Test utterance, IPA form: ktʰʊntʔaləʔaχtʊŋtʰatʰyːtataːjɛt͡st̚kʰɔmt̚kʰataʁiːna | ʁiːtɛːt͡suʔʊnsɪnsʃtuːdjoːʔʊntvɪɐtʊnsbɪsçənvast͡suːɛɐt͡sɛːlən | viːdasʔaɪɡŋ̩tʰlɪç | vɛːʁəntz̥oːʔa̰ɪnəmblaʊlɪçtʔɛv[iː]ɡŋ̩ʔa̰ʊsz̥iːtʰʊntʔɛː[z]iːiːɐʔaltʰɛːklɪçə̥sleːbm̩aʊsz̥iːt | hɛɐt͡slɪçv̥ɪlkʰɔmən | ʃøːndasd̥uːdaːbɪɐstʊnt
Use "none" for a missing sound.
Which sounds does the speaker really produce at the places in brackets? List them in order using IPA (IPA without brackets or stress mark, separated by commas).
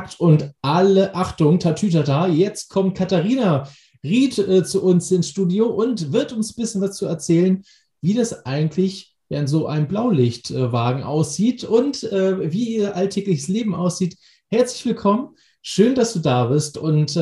aː, v